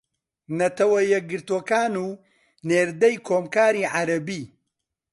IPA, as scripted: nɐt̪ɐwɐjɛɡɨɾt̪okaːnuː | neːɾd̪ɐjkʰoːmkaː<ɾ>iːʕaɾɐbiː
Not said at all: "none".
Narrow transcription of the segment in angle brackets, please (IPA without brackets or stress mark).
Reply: ɾ